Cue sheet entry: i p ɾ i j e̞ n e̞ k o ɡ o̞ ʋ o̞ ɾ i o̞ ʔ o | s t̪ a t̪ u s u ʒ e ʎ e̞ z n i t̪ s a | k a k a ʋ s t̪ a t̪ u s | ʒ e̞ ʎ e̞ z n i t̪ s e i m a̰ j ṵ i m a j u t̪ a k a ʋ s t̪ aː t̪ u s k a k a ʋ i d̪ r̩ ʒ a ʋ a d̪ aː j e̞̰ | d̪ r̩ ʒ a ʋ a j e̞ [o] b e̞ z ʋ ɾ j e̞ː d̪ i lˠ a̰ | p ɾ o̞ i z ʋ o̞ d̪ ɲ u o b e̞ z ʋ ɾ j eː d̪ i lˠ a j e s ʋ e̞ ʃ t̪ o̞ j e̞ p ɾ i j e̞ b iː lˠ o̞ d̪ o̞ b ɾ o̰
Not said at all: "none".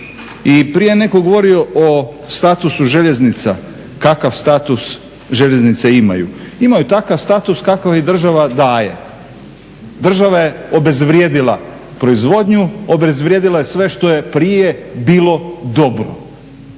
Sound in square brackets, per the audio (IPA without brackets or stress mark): o